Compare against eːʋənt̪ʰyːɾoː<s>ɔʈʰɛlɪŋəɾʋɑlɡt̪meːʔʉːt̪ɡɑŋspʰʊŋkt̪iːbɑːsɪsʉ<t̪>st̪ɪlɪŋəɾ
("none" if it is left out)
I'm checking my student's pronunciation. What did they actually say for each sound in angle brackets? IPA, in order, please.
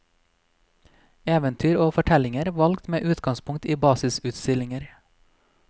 f, t̪

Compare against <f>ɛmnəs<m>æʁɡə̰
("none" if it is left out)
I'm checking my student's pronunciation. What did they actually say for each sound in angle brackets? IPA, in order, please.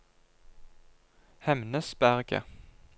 h, b

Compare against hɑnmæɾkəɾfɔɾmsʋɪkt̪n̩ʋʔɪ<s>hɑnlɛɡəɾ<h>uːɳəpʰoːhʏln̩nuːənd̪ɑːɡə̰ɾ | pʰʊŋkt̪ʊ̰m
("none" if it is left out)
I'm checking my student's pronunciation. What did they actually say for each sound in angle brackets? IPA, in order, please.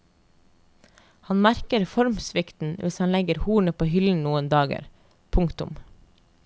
s, h

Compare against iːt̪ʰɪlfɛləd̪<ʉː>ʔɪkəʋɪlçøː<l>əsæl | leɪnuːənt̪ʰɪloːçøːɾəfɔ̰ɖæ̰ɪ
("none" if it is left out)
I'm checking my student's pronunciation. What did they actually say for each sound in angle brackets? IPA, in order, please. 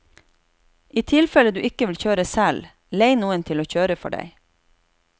ʉː, ɾ

